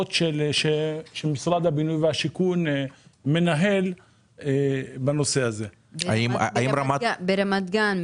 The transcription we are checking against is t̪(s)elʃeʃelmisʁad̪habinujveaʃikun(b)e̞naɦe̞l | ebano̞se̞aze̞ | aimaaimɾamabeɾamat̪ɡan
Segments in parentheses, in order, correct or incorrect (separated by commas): incorrect, incorrect